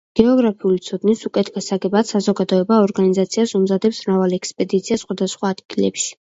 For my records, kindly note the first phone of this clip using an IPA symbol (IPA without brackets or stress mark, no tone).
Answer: ɡ̥